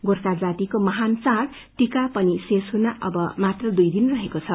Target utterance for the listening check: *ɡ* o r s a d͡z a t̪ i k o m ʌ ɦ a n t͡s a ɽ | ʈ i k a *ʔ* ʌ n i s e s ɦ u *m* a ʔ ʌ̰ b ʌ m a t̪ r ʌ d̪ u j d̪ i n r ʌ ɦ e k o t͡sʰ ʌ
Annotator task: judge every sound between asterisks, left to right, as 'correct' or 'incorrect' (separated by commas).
correct, incorrect, incorrect